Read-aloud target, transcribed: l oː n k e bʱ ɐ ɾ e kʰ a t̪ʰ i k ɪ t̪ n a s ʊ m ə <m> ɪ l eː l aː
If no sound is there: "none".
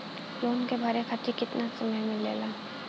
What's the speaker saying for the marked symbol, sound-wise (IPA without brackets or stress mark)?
m